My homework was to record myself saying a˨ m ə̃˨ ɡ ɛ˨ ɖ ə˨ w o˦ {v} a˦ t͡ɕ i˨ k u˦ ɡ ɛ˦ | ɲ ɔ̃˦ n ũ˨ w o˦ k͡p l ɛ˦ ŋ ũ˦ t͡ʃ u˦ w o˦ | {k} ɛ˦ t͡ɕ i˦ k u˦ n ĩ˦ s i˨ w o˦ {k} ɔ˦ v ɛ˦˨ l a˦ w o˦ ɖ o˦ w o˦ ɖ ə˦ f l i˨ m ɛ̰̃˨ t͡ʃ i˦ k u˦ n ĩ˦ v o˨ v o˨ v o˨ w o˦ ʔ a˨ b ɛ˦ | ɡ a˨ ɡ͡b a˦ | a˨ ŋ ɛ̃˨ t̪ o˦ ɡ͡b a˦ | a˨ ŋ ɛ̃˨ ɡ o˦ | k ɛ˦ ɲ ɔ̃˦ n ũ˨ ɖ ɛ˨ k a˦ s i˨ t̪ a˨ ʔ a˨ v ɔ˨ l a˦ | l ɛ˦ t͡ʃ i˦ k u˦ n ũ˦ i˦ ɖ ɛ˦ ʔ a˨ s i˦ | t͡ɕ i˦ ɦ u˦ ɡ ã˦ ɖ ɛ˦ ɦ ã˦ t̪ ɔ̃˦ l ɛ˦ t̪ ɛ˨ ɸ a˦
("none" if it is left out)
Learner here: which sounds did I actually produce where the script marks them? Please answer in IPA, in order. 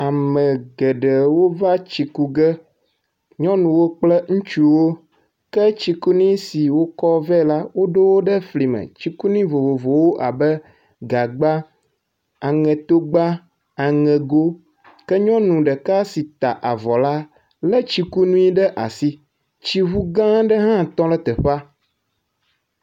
v, k, k

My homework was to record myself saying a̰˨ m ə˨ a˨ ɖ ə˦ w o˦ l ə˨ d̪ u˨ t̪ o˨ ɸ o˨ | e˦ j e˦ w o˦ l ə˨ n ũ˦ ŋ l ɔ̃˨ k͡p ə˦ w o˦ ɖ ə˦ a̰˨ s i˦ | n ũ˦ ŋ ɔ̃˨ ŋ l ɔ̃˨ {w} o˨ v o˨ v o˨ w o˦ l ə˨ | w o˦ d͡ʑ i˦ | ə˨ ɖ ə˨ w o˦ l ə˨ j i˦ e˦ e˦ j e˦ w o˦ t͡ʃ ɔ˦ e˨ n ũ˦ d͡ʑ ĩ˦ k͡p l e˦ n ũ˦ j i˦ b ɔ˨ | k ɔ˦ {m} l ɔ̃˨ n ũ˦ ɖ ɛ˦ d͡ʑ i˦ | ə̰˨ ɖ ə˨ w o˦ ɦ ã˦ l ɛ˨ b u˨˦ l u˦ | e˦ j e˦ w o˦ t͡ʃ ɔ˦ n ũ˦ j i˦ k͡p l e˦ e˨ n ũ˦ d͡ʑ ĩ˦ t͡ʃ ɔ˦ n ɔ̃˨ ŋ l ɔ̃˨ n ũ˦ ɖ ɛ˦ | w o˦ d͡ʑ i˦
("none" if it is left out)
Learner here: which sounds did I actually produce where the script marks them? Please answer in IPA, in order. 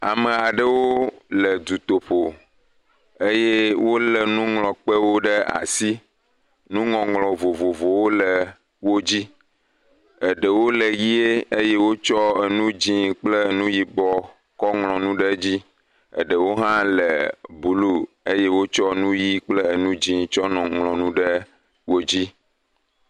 v, ŋ

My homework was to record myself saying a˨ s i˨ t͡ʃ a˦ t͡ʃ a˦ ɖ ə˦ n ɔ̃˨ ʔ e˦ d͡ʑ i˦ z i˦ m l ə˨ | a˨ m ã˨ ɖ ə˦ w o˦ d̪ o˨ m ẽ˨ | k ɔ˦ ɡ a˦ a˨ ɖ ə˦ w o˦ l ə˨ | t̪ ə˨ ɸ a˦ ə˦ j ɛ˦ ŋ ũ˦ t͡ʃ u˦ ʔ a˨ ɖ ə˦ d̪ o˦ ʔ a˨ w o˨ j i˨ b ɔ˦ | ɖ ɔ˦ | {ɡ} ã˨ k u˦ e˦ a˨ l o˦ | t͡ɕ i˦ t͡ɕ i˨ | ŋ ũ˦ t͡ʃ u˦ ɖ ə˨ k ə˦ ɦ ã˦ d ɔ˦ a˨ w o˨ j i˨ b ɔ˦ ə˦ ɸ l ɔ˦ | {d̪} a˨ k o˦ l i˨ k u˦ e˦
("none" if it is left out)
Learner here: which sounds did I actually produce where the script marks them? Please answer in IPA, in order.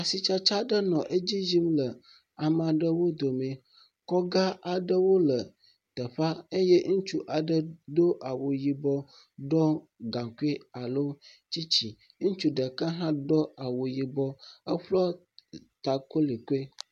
ɡ, t̪

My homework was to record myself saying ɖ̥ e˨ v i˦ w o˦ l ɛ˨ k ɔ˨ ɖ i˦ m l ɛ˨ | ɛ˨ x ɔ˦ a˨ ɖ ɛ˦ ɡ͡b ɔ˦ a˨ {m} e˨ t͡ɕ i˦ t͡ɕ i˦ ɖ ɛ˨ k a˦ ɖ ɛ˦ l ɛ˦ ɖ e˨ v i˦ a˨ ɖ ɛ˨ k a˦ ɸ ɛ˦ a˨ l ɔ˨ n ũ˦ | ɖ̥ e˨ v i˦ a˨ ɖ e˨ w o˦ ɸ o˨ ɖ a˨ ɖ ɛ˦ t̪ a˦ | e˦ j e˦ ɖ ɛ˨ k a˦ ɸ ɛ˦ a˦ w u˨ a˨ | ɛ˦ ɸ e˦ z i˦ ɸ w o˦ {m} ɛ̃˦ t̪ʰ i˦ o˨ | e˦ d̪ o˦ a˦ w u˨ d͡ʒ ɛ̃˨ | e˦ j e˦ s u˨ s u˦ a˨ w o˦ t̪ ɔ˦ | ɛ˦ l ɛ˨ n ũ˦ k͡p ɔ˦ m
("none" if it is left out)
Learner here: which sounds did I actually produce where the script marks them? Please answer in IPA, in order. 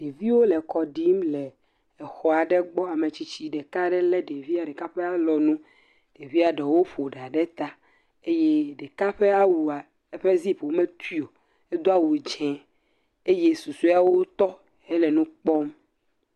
m, m

